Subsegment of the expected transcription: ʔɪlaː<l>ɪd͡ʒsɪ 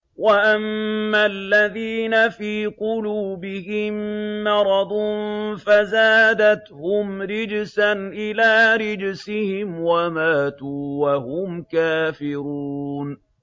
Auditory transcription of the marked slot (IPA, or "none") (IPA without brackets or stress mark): ɾ